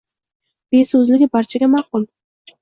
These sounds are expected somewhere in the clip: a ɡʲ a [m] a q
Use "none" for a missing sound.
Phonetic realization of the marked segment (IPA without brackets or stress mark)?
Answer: m